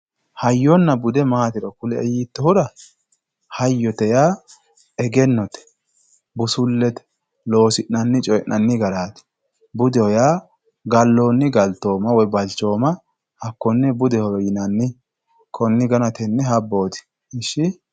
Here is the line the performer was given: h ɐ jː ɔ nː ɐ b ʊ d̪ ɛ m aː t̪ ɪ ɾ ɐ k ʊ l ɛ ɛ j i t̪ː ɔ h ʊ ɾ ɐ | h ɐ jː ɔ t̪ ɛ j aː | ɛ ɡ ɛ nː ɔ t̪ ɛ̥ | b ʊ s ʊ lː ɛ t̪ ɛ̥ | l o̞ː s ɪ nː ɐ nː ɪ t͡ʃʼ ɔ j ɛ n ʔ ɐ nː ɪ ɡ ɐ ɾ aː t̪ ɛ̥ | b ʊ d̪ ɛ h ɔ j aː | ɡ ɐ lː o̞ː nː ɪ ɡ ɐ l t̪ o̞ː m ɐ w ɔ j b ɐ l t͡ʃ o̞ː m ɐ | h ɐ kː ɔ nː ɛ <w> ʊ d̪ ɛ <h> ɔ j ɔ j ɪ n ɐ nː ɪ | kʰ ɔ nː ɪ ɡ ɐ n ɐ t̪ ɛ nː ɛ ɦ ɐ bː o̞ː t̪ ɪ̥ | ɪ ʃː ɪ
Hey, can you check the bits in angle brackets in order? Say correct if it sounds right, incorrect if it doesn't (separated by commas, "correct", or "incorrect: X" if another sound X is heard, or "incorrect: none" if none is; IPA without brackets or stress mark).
incorrect: b, correct